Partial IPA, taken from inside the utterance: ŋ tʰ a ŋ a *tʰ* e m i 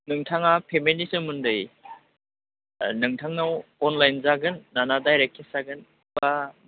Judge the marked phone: incorrect: pʰ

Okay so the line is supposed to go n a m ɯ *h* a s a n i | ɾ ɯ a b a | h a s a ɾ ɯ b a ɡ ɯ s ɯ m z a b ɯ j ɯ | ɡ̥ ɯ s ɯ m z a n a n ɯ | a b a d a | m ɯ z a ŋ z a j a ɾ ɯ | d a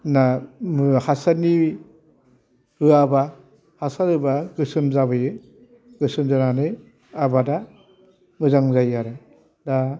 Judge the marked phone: correct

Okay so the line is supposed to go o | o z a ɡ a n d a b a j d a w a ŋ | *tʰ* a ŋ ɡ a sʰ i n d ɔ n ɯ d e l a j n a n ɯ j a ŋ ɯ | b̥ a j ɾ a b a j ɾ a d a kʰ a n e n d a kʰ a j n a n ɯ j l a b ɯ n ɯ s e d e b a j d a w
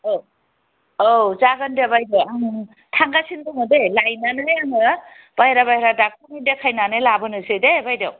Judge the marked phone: correct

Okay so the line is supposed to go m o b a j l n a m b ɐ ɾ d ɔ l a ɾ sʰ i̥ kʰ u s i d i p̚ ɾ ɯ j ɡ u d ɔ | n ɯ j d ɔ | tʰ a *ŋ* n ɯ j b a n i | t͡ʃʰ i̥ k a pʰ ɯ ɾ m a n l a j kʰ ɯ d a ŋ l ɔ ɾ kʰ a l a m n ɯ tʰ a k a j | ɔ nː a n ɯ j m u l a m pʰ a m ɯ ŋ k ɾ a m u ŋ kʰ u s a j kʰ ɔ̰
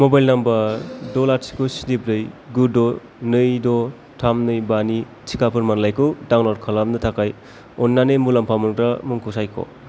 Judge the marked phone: incorrect: m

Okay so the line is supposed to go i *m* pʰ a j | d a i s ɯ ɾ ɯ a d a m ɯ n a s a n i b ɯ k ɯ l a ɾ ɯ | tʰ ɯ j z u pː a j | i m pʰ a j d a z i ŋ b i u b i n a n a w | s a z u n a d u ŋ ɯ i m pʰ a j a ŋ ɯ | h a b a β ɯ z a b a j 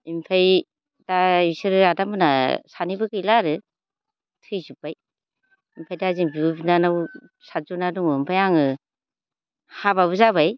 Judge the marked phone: correct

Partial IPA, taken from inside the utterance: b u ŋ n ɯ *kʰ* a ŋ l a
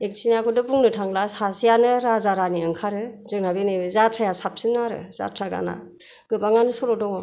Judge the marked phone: incorrect: tʰ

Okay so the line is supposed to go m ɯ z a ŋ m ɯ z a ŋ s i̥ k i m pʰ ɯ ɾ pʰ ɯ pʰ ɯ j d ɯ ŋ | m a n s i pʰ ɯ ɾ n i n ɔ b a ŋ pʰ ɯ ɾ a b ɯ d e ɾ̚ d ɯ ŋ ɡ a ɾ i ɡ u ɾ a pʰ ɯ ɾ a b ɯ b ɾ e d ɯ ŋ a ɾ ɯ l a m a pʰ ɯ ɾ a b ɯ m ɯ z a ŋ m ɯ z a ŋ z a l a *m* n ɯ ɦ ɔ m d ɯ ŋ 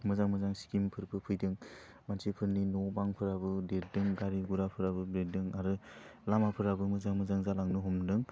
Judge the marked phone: incorrect: ŋ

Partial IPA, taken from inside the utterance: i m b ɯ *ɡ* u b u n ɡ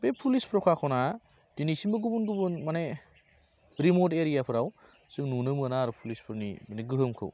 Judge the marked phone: correct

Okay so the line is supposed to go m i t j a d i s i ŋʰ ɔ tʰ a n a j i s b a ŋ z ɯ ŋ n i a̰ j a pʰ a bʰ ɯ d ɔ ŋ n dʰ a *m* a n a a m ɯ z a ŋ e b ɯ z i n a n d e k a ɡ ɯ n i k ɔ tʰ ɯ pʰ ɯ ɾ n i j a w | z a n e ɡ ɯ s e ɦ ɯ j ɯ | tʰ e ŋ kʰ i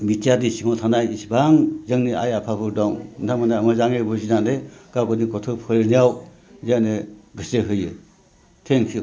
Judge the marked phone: correct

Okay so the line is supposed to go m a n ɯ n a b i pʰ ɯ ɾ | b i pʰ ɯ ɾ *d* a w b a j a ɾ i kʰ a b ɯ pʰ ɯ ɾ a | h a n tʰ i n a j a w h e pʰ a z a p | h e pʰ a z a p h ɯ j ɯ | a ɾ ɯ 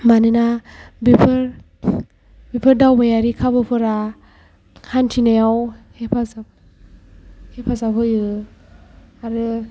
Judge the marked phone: correct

